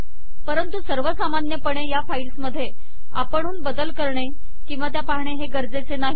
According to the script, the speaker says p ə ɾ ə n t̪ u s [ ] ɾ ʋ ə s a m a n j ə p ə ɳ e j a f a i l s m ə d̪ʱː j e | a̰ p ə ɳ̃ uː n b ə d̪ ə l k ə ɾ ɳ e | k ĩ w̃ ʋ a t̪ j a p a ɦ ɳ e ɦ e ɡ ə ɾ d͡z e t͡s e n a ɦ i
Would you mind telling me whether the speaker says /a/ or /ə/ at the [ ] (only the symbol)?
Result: ə